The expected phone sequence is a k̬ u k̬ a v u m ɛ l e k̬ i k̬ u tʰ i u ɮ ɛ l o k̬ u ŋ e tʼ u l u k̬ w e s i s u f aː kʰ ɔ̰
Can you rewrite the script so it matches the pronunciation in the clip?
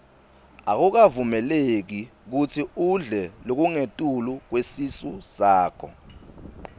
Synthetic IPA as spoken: a k̬ u k̬ a v u m ɛ l e k̬ i k̬ u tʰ i u ɮ ɛ l o k̬ u ŋ e tʼ u l u k̬ w e s i s u s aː kʰ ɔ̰